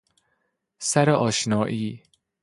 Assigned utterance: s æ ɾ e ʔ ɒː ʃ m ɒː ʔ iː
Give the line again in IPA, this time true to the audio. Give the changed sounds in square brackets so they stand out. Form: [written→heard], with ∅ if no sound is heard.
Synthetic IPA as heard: s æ ɾ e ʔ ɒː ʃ [m→n] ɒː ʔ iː

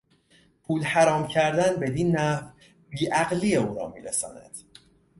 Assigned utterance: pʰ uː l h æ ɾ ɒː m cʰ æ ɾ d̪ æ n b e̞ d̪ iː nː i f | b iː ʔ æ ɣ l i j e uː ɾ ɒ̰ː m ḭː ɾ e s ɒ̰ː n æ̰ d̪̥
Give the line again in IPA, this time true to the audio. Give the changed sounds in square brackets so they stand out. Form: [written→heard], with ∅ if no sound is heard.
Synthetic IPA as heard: pʰ uː l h æ ɾ ɒː m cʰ æ ɾ d̪ æ n b e̞ d̪ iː nː [i→æ] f | b iː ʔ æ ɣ l i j e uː ɾ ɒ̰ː m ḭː ɾ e s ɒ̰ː n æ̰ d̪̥

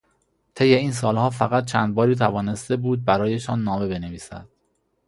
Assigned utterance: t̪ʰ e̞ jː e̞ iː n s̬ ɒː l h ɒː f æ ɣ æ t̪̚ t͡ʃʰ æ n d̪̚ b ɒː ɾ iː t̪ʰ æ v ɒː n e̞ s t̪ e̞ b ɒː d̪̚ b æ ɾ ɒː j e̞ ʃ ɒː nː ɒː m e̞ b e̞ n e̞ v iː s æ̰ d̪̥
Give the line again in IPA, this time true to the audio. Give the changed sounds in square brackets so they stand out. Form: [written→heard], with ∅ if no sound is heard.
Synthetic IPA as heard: t̪ʰ e̞ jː e̞ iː n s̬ ɒː l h ɒː f æ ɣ æ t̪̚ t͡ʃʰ æ n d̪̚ b ɒː ɾ iː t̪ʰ æ v ɒː n e̞ s t̪ e̞ b [ɒː→uː] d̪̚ b æ ɾ ɒː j e̞ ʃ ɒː nː ɒː m e̞ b e̞ n e̞ v iː s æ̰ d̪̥

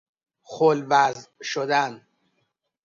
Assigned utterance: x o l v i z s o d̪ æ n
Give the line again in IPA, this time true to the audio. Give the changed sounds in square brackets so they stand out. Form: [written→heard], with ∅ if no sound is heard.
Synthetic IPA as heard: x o l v [i→æ] z [s→ʃ] o d̪ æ n

